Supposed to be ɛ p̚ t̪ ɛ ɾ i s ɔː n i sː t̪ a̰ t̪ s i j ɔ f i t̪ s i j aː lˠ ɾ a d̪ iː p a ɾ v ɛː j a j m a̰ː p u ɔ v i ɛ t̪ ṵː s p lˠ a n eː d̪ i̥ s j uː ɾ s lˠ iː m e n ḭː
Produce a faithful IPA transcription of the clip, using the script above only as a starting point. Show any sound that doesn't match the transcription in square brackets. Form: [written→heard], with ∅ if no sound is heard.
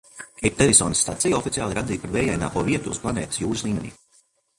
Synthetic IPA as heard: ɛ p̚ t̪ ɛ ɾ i s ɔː n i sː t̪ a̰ t̪ s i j ɔ f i t̪ s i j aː lˠ ɾ a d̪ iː p a ɾ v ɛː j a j [m→n] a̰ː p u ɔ v i ɛ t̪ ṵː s p lˠ a n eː [d̪→t̪] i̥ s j uː ɾ s lˠ iː m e n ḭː

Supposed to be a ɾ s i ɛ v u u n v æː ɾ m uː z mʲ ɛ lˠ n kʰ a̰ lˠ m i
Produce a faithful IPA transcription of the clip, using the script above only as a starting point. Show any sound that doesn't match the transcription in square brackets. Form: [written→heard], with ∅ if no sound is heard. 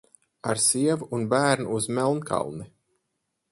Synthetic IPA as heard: a ɾ s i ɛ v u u n [v→b] æː ɾ [m→n] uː z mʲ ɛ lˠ n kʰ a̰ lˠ [m→n] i

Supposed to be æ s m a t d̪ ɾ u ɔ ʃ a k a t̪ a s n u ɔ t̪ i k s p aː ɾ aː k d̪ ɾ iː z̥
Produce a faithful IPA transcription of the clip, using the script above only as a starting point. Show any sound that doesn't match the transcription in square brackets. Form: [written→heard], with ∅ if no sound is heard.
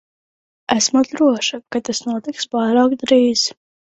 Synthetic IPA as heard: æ s m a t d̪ ɾ u ɔ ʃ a k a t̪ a s n u ɔ t̪ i k s p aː ɾ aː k d̪ ɾ iː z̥

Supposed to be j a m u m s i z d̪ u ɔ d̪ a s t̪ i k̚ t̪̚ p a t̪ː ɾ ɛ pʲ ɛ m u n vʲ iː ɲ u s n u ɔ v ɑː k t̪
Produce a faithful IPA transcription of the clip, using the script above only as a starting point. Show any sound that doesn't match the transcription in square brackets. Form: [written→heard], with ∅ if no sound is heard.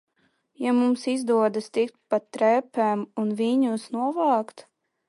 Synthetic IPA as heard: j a m u m s i z d̪ u ɔ d̪ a s t̪ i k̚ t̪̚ p a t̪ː ɾ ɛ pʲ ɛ m u n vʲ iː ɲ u s n u ɔ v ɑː k t̪

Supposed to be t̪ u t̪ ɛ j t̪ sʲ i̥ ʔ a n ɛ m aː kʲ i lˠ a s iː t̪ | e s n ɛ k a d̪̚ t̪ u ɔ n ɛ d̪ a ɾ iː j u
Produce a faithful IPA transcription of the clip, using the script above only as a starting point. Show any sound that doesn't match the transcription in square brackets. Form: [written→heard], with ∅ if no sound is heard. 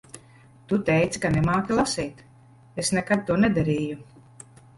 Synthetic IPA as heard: t̪ u t̪ ɛ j t̪ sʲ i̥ [ʔ→k] a n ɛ m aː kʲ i lˠ a s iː t̪ | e s n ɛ k a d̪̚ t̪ u ɔ n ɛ d̪ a ɾ iː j u

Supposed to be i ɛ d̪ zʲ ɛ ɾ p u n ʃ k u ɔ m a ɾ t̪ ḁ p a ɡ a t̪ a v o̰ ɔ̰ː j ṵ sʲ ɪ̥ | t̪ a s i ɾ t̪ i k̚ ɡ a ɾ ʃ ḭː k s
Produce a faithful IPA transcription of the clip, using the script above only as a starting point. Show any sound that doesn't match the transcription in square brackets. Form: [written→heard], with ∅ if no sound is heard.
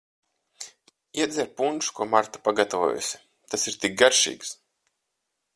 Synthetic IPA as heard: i ɛ d̪ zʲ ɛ ɾ p u n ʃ k u ɔ m a ɾ t̪ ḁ p a ɡ a t̪ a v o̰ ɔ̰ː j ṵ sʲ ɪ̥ | t̪ a s i ɾ t̪ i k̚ ɡ a ɾ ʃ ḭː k s

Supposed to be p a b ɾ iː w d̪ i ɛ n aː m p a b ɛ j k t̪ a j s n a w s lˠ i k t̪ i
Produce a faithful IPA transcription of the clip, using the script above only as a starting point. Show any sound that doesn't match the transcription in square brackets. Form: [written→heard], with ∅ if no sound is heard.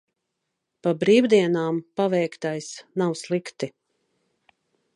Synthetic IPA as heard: p a b ɾ iː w d̪ i ɛ n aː m p a [b→v] ɛ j k t̪ a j s n a w s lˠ i k t̪ i

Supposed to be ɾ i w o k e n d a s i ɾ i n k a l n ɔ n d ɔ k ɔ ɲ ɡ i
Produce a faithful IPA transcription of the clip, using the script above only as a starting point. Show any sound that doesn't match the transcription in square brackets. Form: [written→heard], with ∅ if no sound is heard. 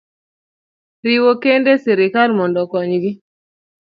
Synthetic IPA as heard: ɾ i w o k e n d [a→e] s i ɾ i [n→∅] k a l [n→m] ɔ n d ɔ k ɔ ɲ ɡ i

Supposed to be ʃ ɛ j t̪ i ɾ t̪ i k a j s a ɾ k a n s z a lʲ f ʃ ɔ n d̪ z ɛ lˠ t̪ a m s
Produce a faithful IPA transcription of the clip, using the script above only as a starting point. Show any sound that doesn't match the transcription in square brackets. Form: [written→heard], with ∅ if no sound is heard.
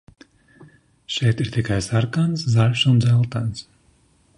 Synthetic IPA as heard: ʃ ɛ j t̪ i ɾ t̪ i k a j s a ɾ k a n s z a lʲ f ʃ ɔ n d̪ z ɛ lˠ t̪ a [m→n] s

